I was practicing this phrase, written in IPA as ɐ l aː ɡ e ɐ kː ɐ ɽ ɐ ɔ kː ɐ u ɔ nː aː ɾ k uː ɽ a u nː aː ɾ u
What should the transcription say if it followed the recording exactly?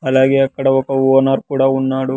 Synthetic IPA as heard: ɐ l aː ɡ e ɐ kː ɐ ɽ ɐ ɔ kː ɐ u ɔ n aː ɾ k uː ɽ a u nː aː ɽ u

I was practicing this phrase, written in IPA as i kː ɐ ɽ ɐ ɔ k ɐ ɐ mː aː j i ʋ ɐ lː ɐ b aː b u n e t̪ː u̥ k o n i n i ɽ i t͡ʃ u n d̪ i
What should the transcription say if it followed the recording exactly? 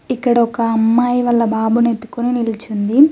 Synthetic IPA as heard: i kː ɐ ɽ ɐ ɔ k ɐ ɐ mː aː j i ʋ ɐ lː ɐ b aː b u n e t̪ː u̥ k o n i n i l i t͡ʃ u n d̪ i

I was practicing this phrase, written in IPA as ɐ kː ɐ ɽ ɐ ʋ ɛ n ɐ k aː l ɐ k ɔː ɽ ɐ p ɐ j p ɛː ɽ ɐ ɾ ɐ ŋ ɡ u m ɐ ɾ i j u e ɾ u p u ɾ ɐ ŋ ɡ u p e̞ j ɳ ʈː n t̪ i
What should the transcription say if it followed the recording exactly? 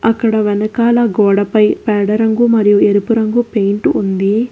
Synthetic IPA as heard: ɐ kː ɐ ɽ ɐ ʋ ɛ n ɐ k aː l ɐ ɡ ɔː ɽ ɐ p ɐ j p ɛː ɽ ɐ ɾ ɐ ŋ ɡ u m ɐ ɾ i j u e ɾ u p u ɾ ɐ ŋ ɡ u p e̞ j ɳ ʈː n d̪ i

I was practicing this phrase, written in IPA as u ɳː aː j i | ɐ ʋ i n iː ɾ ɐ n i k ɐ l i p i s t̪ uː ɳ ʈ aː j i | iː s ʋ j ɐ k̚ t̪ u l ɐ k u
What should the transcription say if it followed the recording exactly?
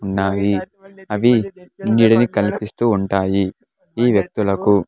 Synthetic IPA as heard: u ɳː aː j i | ɐ ʋ i n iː ɽ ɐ n i k ɐ l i p i s t̪ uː ɳ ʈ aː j i | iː ʋ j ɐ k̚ t̪ u l ɐ k u

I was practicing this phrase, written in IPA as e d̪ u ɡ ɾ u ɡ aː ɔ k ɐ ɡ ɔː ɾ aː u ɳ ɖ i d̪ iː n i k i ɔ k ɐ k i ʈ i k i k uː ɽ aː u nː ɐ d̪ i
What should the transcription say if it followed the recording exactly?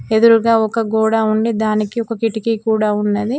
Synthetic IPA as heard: e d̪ u ɾ u ɡ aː ɔ k ɐ ɡ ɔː ɽ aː u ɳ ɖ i d̪ aː n i k i ɔ k ɐ k i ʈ i k i k uː ɽ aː u nː ɐ d̪ i

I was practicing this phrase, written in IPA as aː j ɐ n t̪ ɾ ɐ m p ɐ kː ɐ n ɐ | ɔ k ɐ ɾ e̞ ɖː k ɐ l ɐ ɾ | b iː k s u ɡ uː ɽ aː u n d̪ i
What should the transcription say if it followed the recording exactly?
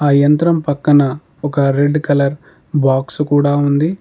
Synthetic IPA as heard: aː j ɐ n t̪ ɾ ɐ m p ɐ kː ɐ n ɐ | ɔ k ɐ ɾ e̞ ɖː k ɐ l ɐ ɾ | b aː k s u k uː ɽ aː u n d̪ i

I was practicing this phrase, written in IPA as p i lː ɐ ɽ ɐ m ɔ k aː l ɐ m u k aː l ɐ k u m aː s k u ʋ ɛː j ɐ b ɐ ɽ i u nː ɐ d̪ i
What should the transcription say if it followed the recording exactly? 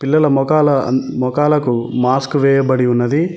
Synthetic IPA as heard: p i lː ɐ l ɐ m ɔ k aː l ɐ m ɔ k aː l ɐ k u m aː s k u ʋ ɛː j ɐ b ɐ ɽ i u nː ɐ d̪ i

